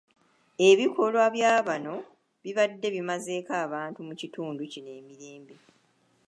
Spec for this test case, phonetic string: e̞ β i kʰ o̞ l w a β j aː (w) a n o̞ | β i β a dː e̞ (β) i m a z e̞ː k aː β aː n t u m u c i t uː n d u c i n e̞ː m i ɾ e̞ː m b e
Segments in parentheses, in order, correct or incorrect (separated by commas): incorrect, correct